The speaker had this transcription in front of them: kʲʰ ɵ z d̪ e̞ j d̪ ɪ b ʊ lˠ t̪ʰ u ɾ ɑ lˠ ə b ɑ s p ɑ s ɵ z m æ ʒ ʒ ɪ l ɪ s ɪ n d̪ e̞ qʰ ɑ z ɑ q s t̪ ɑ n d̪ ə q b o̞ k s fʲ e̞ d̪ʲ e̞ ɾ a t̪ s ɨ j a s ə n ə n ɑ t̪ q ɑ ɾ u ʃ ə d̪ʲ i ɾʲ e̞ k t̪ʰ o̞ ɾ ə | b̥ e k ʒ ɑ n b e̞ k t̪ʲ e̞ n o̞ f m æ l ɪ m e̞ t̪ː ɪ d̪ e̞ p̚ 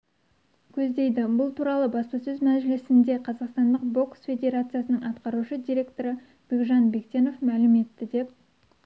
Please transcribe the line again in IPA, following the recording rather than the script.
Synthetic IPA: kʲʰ ɵ z d̪ e̞ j d̪ ɪ b ʊ lˠ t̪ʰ u ɾ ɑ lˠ ə b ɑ s p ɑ s ɵ z m æ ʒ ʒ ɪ l ɪ s ɪ n d̪ e̞ qʰ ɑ z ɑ q s t̪ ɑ n d̪ ə q b o̞ k s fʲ e̞ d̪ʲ e̞ ɾ a t̪ s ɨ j a s ə n ə ɴ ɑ t̪ q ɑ ɾ u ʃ ə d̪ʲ i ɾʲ e̞ k t̪ o̞ ɾ ə | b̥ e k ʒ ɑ n b e̞ k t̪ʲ e̞ n o̞ f m æ l ɪ m e̞ t̪ː ɪ d̪ e̞ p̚